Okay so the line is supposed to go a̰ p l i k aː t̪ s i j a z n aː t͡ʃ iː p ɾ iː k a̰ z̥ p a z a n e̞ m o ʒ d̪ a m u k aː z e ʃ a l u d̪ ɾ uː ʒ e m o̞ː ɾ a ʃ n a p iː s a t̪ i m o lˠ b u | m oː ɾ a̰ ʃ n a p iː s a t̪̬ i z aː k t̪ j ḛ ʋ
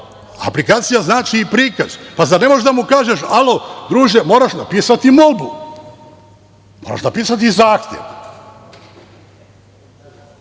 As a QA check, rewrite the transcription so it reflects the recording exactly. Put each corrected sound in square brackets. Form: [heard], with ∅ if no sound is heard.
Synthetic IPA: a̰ p l i k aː t̪ s i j a z n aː t͡ʃ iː p ɾ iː k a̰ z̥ p a z a n e̞ m o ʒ d̪ a m u k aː [ʒ] e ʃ a l [o] d̪ ɾ uː ʒ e m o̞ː ɾ a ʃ n a p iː s a t̪ i m o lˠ b u | m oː ɾ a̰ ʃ n a p iː s a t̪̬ i z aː [x] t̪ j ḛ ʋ

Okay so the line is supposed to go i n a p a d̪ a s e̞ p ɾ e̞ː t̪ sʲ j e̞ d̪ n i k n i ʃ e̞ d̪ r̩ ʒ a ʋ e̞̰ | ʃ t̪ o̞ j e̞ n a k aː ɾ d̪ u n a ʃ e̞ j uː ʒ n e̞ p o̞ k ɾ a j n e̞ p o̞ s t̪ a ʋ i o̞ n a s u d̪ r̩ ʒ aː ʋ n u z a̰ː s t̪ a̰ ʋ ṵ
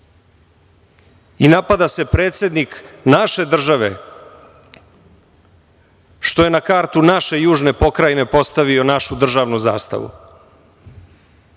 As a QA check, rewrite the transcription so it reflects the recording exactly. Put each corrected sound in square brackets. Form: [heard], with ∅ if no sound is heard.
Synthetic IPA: i n a p a d̪ a s e̞ p ɾ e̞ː t̪ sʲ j e̞ d̪ n i k n [a] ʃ e̞ d̪ r̩ ʒ a ʋ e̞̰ | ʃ t̪ o̞ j e̞ n a k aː ɾ [t̪] u n a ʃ e̞ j uː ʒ n e̞ p o̞ k ɾ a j n e̞ p o̞ s t̪ a ʋ i o̞ n a [ʃ] u d̪ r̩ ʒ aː ʋ n u z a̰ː s t̪ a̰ ʋ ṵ

